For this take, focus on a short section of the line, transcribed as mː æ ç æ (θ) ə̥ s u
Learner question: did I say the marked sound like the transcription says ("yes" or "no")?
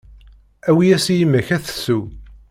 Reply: yes